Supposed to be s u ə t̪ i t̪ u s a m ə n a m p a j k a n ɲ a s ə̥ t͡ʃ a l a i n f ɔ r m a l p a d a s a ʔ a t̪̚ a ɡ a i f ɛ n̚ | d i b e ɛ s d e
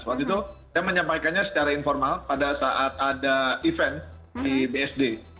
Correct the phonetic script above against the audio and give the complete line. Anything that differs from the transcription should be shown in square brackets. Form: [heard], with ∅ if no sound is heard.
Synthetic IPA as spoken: s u [a] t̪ i t̪ u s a m ə [ɲ] a m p a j k a n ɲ a s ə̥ t͡ʃ a [ɾ] a i n f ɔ r m a l p a d a s a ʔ a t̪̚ a [d] a i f ɛ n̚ | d i b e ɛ s d e